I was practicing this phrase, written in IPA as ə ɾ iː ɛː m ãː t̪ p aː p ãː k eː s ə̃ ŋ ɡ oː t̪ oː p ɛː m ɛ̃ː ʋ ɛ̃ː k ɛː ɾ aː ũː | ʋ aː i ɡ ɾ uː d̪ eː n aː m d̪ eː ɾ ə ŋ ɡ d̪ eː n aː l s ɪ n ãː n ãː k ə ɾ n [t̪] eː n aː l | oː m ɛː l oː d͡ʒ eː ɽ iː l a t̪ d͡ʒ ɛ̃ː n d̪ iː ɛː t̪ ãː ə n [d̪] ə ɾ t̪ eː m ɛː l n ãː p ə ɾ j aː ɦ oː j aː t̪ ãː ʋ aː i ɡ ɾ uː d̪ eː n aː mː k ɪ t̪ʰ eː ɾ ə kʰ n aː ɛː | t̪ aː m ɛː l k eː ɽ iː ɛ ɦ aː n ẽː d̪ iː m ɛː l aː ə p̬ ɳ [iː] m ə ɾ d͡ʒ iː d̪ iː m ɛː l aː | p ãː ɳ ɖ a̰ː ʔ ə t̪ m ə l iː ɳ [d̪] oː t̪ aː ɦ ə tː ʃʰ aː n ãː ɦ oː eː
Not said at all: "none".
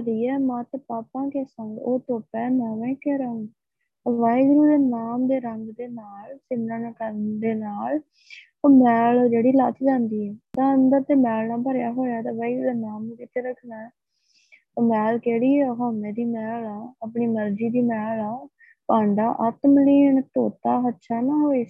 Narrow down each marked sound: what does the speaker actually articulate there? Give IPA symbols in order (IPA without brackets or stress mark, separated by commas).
d̪, d̪, iː, t̪